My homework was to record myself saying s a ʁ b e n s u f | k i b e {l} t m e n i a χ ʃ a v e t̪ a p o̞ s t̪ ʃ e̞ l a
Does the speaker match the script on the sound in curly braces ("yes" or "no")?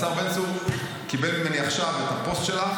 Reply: yes